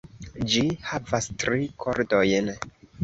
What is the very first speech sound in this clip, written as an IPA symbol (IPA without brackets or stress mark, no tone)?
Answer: d͡ʒ